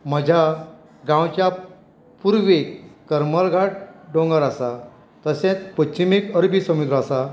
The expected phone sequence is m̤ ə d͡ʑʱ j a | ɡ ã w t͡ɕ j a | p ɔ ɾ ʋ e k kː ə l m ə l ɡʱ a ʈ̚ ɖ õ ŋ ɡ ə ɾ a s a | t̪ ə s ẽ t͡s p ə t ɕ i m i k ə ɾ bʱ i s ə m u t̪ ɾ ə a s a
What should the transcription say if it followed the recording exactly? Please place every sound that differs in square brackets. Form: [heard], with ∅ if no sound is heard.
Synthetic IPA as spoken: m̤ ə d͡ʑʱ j a | ɡ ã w t͡ɕ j a | p [u] ɾ ʋ e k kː ə [ɾ] m ə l ɡʱ a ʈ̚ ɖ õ ŋ ɡ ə ɾ a s a | t̪ ə s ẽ t͡s p ə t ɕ i m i k ə ɾ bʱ i s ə m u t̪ ɾ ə a s a